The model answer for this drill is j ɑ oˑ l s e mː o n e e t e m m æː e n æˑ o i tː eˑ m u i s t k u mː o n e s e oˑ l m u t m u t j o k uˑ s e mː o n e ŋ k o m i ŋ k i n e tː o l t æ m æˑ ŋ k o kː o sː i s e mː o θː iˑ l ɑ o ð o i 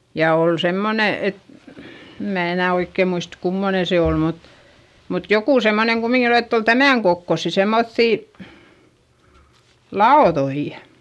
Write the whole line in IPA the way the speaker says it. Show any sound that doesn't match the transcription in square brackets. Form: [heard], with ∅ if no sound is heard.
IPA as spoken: j ɑ oˑ l s e mː o n e e t e m m æː e n æˑ o i [kː] eˑ m u i s t k u mː o n e s e oˑ l m u t m u t j o k uˑ s e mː o n e ŋ k [u] m i ŋ k i n e tː o l t æ m æˑ ŋ k o kː o sː i s e mː o θː iˑ l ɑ o ð o i